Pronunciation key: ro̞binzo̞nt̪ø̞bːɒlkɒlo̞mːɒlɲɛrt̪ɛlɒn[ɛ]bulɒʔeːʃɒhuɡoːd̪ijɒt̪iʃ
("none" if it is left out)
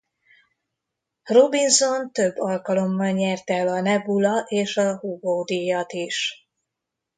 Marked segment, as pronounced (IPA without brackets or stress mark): ɛ